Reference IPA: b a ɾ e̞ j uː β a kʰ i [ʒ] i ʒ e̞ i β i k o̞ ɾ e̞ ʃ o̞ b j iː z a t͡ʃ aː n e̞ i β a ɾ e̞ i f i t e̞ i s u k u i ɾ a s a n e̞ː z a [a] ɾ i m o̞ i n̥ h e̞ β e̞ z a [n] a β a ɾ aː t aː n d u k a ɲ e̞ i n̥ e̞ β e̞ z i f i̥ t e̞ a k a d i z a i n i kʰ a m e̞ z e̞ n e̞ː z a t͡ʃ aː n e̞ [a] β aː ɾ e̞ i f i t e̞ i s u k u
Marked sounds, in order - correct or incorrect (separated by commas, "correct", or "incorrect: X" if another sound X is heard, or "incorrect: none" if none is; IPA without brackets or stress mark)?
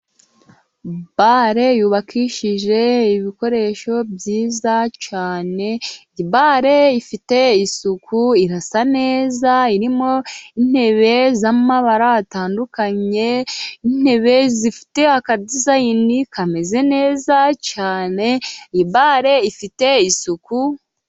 incorrect: ʃ, incorrect: i, incorrect: m, incorrect: i